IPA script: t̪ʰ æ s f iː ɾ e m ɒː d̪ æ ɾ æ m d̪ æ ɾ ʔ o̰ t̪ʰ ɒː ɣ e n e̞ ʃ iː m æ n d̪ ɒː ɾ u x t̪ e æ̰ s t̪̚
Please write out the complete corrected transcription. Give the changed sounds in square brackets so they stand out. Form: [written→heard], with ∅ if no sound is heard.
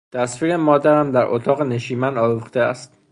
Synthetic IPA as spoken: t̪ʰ æ s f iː ɾ e m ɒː d̪ æ ɾ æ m d̪ æ ɾ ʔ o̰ t̪ʰ ɒː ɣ e n e̞ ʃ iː m æ n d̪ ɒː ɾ u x t̪ e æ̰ s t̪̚